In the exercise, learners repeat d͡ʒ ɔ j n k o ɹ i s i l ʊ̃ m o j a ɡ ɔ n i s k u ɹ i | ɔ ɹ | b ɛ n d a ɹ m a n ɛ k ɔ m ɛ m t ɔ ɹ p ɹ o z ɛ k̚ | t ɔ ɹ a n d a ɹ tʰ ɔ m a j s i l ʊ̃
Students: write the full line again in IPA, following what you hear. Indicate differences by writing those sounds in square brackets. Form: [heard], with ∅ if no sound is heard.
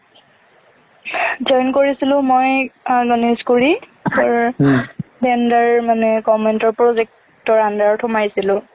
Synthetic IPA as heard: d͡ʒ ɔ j n k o ɹ i s i l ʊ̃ m o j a ɡ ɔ n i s k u ɹ i | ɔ ɹ | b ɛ n d a ɹ m a n ɛ k ɔ m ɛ [n] t ɔ ɹ p ɹ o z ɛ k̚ | t ɔ ɹ a n d a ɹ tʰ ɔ m a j s i l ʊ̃